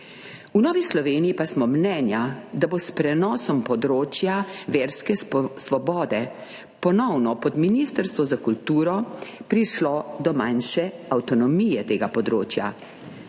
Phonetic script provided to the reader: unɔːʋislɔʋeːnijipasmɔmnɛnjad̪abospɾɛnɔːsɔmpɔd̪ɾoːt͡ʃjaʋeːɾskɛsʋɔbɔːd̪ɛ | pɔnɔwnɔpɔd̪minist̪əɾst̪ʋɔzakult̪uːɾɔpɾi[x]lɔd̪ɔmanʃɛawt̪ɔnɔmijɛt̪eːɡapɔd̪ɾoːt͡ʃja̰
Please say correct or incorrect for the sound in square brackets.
incorrect